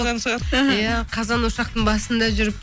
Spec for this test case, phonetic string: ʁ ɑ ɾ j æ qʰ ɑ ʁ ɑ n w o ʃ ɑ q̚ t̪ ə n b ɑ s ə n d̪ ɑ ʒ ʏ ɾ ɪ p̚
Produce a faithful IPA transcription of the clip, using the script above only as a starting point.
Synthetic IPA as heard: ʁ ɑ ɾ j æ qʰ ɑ z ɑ n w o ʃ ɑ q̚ t̪ ə ɴ b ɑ s ə n d̪ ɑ ʒ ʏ ɾ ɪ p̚